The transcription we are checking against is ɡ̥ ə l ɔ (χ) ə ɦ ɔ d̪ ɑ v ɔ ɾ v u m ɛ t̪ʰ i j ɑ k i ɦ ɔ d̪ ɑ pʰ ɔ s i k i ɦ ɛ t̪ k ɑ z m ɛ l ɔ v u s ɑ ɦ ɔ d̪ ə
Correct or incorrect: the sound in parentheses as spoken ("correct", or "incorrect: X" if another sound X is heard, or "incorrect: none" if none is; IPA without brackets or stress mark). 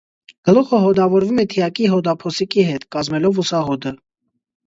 correct